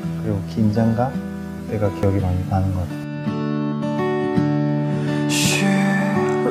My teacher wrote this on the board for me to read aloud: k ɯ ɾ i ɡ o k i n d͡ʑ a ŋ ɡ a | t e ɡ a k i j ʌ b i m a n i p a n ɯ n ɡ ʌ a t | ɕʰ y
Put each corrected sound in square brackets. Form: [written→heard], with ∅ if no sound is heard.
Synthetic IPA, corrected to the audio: k ɯ ɾ i ɡ o k i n d͡ʑ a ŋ ɡ a | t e ɡ a k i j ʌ [b→ɡ] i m a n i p a n ɯ n ɡ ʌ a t | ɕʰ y